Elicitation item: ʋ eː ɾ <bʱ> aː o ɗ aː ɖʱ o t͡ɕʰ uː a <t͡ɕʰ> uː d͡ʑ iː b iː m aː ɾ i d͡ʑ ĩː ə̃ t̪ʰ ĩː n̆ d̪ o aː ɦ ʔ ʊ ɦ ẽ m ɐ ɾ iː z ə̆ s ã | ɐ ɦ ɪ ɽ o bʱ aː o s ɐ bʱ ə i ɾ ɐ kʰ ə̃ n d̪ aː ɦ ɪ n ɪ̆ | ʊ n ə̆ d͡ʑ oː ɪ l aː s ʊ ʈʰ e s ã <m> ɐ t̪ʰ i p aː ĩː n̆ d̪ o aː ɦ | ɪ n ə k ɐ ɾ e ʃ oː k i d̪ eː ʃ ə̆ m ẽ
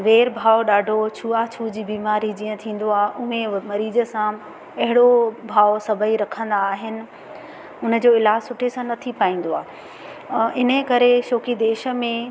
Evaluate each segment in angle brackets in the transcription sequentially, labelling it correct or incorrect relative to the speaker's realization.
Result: correct, correct, incorrect: n

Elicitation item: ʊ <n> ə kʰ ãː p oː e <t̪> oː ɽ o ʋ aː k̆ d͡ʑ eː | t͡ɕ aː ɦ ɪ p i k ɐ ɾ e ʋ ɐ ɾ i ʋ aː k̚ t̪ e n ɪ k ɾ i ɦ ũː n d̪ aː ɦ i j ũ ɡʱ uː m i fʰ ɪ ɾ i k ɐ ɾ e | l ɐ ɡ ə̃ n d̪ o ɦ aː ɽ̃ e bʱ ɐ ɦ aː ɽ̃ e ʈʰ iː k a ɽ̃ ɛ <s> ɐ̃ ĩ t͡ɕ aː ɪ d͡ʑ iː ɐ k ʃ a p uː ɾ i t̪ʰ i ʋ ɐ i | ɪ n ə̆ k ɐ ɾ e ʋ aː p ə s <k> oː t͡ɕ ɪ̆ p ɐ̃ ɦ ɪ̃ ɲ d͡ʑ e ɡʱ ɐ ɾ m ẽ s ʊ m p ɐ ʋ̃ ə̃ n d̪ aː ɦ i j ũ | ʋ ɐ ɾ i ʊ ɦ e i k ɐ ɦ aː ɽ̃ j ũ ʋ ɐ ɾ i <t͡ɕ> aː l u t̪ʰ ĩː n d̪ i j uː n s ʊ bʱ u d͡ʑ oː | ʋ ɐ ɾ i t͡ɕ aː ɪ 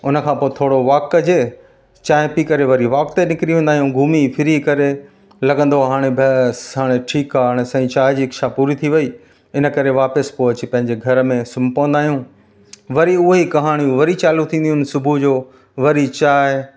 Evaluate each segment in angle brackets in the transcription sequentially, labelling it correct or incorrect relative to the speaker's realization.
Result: correct, incorrect: t̪ʰ, correct, incorrect: p, correct

